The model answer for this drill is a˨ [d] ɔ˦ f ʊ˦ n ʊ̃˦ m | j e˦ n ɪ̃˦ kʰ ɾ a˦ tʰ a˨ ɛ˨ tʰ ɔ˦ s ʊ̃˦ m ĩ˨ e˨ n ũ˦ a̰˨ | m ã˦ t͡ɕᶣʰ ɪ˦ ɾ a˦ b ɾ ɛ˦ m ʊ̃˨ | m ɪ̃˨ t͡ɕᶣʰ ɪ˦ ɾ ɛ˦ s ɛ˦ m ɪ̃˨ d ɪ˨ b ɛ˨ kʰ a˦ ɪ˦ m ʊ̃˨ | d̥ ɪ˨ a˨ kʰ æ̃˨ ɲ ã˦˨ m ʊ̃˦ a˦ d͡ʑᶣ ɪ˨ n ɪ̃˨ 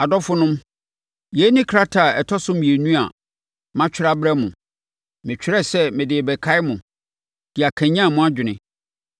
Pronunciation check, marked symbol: correct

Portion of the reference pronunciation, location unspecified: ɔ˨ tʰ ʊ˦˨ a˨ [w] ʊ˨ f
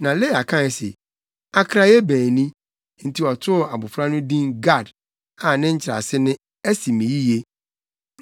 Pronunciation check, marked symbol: incorrect: b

